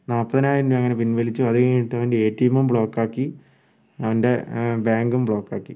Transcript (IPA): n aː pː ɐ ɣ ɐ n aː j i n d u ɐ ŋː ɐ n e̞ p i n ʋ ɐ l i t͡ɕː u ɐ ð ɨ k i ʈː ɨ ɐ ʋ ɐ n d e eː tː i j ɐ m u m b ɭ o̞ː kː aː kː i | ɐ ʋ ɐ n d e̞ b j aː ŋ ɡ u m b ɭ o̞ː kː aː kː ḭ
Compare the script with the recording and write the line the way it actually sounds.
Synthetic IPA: n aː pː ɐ ð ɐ n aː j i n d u ɐ ŋː ɐ n e̞ p i n ʋ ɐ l i t͡ɕː u ɐ ð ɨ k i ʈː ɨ ɐ ʋ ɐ n d e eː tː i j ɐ m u m b ɭ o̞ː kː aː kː i | ɐ ʋ ɐ n d e̞ b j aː ŋ ɡ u m b ɭ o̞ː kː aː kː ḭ